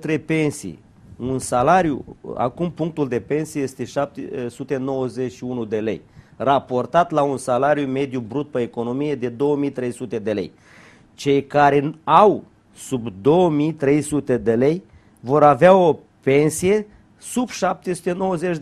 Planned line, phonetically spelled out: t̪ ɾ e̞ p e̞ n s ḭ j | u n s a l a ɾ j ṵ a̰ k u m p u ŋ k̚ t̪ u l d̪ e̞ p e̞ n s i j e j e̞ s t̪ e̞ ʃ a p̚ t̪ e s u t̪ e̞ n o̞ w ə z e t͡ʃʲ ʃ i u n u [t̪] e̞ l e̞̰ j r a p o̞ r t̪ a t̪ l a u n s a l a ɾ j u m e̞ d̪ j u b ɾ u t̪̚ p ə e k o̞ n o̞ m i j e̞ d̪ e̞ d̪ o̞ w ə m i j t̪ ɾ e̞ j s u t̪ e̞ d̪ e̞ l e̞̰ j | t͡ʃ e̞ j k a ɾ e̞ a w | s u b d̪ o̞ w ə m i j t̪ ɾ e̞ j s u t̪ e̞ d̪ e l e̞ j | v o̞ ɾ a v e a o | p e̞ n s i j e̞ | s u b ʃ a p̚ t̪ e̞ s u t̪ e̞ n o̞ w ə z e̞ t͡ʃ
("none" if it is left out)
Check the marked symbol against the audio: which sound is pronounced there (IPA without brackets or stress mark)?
d̪